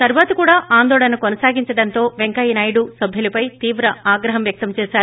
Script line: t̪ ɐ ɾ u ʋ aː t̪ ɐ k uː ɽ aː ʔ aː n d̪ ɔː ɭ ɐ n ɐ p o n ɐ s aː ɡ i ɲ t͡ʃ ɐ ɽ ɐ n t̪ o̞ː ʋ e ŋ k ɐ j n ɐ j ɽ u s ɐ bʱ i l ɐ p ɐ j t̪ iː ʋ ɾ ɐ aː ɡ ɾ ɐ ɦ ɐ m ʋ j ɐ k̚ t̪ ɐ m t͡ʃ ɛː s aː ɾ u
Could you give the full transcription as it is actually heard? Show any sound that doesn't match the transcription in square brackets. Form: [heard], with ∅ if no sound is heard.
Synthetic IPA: t̪ ɐ ɾ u ʋ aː t̪ ɐ k uː ɽ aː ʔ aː n d̪ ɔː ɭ ɐ n ɐ [k] o n ɐ s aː ɡ i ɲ t͡ʃ ɐ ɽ ɐ n t̪ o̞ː ʋ e ŋ k ɐ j n ɐ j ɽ u s ɐ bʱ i l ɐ p ɐ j t̪ iː ʋ ɾ ɐ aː ɡ ɾ ɐ ɦ ɐ m ʋ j ɐ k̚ t̪ ɐ m t͡ʃ ɛː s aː ɾ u

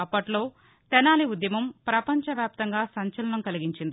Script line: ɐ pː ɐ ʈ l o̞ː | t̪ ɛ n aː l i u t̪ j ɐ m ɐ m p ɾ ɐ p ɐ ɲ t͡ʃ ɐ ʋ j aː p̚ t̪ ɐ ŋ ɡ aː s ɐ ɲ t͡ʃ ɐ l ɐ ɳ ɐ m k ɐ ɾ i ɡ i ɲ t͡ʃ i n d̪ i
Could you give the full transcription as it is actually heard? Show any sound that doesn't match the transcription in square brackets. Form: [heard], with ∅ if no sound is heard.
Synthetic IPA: ɐ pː ɐ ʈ l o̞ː | t̪ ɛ n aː l i u [d̪] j ɐ m ɐ m p ɾ ɐ p ɐ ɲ t͡ʃ ɐ ʋ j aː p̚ t̪ ɐ ŋ ɡ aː s ɐ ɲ t͡ʃ ɐ l ɐ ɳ ɐ m k ɐ [l] i ɡ i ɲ t͡ʃ i n d̪ i

